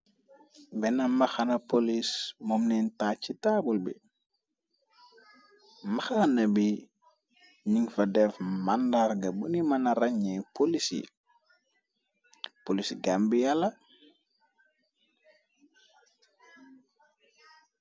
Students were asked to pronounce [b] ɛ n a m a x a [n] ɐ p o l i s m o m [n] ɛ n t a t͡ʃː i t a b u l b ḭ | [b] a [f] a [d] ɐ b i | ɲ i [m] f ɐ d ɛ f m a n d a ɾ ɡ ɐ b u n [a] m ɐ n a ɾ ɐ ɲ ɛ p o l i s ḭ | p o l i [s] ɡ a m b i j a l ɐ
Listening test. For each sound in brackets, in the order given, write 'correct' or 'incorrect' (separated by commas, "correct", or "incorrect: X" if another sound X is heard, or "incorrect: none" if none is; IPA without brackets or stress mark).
correct, correct, correct, incorrect: m, incorrect: x, incorrect: n, incorrect: ŋ, incorrect: i, correct